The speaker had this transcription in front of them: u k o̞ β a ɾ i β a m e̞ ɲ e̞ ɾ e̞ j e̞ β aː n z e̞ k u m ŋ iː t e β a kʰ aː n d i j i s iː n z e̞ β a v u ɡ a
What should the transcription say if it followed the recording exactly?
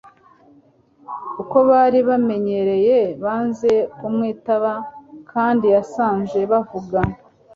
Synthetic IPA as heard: u k o̞ β a ɾ i β a m e̞ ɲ e̞ ɾ e̞ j e̞ β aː n z e̞ k u m ŋ iː t a β a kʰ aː n d i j a s aː n z e̞ β a v u ɡ a

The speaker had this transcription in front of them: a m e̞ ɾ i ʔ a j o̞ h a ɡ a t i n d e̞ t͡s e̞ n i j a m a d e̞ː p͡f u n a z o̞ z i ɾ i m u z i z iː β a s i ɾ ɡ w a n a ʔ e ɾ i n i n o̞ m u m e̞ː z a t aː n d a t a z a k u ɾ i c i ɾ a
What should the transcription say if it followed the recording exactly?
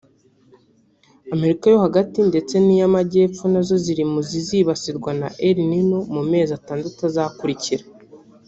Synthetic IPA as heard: a m e̞ ɾ i k a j o̞ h a ɡ a t i n d e̞ t͡s e̞ n i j a m a ɟ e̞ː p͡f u n a z o̞ z i ɾ i m u z i z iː β a s i ɾ ɡ w a n a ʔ e ɾ i n i n o̞ m u m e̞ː z a t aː n d a t a z a k u ɾ i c i ɾ a

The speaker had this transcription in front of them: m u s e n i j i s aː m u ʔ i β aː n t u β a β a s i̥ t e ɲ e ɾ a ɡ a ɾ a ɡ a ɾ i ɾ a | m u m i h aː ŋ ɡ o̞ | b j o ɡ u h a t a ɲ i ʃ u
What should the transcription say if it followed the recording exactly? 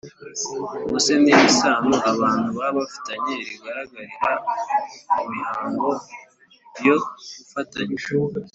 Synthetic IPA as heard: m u s e n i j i s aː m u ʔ a β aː n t u β a β a f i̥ t a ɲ e ɾ i ɡ a ɾ a ɡ a ɾ i ɾ a | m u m i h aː ŋ ɡ o̞ | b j o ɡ u f a t a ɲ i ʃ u

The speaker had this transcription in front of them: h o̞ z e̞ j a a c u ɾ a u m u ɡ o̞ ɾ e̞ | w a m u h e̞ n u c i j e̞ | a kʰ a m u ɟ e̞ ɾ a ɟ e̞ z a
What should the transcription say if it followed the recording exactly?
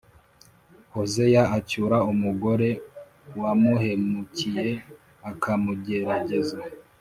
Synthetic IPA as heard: h o̞ z e̞ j a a c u ɾ a u m u ɡ o̞ ɾ e̞ | w a m u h e̞ m u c i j e̞ | a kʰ a m u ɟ e̞ ɾ a ɟ e̞ z a

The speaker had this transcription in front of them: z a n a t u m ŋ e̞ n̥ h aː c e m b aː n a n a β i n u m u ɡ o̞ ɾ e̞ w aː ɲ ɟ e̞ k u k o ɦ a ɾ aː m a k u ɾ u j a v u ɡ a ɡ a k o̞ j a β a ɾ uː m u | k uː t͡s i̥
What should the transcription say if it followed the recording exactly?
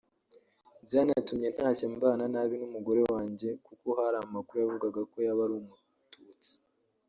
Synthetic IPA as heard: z a n a t u m ɲ e̞ n̥ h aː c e m b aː n a n a β i n u m u ɡ o̞ ɾ e̞ w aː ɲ ɟ e̞ k u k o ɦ a ɾ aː m a k u ɾ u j a v u ɡ a ɡ a k o̞ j a β a ɾ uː m u | t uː t͡s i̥

